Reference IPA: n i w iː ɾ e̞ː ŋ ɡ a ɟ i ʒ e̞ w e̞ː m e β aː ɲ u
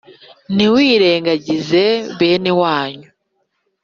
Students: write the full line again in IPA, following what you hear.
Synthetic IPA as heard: n i w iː ɾ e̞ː ŋ ɡ a ɟ i z e̞ β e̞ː n e w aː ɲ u